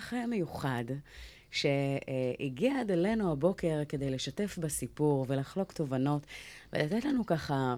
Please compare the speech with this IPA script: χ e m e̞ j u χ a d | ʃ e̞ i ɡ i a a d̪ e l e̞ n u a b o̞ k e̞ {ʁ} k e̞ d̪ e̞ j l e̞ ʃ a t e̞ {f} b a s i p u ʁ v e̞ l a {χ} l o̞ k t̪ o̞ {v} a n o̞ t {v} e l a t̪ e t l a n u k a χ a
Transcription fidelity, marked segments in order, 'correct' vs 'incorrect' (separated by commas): correct, correct, correct, correct, correct